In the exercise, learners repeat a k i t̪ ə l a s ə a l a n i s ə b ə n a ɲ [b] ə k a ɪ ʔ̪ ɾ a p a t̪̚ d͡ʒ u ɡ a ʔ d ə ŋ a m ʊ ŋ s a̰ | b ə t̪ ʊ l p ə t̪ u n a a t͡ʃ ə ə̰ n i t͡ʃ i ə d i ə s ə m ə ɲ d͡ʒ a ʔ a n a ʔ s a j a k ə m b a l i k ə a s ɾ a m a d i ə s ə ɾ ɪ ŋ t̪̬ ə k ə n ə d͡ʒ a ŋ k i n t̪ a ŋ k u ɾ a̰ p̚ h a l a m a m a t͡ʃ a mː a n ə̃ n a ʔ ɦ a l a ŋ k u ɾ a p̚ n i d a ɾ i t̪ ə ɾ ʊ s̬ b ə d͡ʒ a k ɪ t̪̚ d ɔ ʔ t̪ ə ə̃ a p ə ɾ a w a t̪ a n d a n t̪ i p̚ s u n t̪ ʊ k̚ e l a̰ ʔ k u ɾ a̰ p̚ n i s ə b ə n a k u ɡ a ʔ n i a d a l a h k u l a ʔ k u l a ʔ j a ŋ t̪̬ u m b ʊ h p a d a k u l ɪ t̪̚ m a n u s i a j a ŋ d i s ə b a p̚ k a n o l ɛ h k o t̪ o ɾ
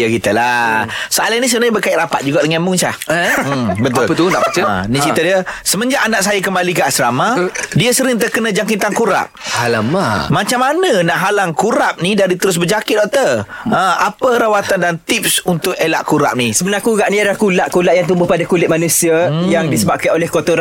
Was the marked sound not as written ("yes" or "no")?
no